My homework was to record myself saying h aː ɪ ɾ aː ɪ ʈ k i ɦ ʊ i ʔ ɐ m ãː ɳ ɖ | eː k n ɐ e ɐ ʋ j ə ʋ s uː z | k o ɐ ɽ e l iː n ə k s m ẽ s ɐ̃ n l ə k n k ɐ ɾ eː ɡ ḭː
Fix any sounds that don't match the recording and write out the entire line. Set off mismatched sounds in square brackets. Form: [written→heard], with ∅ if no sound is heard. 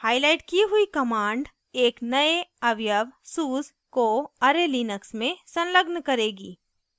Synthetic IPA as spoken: h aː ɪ [ɾ→l] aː ɪ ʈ k i ɦ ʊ i [ʔ→k] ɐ m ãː ɳ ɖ | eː k n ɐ e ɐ ʋ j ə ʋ s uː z | k o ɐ [ɽ→ɾ] e l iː n ə k s m ẽ s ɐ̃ n l ə [k→ɡ] n k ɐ ɾ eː ɡ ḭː